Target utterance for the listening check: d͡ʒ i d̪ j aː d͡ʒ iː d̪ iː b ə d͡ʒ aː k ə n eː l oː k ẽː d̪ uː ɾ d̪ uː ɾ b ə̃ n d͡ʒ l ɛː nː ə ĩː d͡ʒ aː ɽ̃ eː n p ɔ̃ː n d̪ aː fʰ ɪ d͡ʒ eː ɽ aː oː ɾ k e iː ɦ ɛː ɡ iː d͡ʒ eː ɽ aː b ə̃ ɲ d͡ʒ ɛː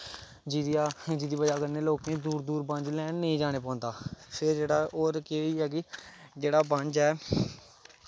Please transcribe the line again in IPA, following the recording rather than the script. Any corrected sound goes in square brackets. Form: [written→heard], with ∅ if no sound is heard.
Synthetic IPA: d͡ʒ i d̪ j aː d͡ʒ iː d̪ iː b ə d͡ʒ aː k ə n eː l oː k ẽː d̪ uː ɾ d̪ uː ɾ b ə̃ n d͡ʒ l ɛː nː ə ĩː d͡ʒ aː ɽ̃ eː [n→∅] p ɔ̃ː n d̪ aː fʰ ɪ d͡ʒ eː ɽ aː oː ɾ k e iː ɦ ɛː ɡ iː d͡ʒ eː ɽ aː b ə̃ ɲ d͡ʒ ɛː